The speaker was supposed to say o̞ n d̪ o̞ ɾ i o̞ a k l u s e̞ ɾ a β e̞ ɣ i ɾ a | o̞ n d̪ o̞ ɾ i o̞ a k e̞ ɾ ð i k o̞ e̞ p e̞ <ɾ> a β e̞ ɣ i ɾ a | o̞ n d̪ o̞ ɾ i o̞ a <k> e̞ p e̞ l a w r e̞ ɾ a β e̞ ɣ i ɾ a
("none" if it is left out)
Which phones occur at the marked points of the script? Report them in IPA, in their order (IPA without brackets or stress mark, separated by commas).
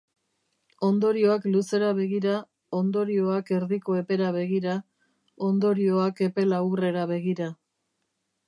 ɾ, k